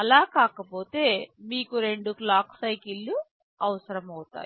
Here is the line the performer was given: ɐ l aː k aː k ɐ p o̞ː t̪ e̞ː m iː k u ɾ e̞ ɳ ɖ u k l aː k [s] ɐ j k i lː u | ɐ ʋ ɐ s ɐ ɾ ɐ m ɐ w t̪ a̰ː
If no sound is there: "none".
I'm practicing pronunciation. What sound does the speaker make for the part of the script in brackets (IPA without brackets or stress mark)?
s